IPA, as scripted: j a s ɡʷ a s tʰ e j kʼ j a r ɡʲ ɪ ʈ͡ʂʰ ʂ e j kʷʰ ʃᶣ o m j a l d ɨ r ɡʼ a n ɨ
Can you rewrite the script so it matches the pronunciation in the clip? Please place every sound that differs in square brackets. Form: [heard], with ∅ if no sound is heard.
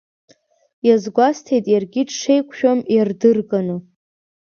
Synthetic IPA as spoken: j a [z] ɡʷ a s tʰ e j [tʼ] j a r ɡʲ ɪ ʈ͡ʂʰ ʂ e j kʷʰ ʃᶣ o m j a [r] d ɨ r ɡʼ a n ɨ